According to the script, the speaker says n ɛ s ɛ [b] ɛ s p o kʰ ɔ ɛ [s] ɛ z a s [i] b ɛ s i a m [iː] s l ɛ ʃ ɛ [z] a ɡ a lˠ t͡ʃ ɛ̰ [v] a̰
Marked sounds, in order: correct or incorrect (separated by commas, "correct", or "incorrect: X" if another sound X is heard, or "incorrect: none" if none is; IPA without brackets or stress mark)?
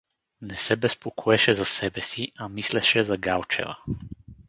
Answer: correct, incorrect: ʃ, incorrect: ɛ, incorrect: i, correct, correct